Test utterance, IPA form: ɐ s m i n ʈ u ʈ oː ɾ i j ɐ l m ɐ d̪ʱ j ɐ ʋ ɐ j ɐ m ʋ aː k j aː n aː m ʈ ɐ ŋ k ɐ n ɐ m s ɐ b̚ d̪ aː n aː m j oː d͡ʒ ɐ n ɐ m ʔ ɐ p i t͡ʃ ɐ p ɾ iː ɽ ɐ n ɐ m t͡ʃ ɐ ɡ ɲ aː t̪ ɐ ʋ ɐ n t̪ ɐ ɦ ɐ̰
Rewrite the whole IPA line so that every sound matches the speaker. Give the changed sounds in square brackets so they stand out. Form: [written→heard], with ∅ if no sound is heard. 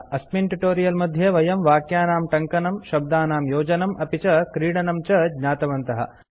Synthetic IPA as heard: ɐ s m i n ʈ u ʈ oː ɾ i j ɐ l m ɐ d̪ʱ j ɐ ʋ ɐ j ɐ m ʋ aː k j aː n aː m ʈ ɐ ŋ k ɐ n ɐ m [s→ʃ] ɐ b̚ d̪ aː n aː m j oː d͡ʒ ɐ n ɐ m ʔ ɐ p i t͡ʃ ɐ [p→k] ɾ iː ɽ ɐ n ɐ m t͡ʃ ɐ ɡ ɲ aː t̪ ɐ ʋ ɐ n t̪ ɐ ɦ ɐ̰